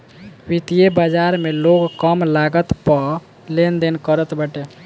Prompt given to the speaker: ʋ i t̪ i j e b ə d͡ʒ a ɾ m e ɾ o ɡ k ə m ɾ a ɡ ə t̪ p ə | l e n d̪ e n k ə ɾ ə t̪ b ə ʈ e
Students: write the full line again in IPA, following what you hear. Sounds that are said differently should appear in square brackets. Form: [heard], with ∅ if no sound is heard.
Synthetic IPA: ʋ i t̪ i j e b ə d͡ʒ a ɾ m e [l] o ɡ k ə m [l] a ɡ ə t̪ p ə | l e n d̪ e n k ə ɾ ə t̪ b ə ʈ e